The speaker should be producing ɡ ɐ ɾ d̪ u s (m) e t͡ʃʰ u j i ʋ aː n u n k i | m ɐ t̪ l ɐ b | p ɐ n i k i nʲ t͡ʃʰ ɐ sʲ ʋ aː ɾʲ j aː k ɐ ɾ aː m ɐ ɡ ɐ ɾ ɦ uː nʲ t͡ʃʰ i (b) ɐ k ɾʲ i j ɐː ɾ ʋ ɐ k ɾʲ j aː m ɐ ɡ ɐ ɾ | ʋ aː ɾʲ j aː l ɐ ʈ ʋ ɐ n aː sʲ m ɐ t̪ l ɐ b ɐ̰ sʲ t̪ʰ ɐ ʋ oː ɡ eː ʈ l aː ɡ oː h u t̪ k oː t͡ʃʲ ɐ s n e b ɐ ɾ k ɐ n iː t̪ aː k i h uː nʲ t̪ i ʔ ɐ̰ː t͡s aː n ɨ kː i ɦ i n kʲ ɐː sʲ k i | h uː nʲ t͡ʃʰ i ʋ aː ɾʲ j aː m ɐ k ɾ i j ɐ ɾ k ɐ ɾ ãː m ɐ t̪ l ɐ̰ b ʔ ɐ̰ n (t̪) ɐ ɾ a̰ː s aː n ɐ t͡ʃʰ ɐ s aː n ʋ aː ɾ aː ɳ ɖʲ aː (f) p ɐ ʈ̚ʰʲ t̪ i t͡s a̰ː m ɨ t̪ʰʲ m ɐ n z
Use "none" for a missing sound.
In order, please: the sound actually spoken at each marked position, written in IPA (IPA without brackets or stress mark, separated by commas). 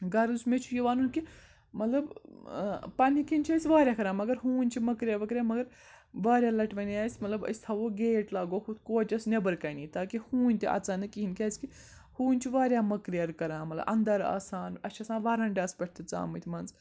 m, m, d̪, s